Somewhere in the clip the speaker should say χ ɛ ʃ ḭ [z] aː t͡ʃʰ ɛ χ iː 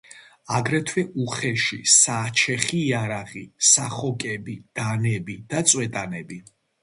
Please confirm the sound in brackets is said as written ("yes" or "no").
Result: no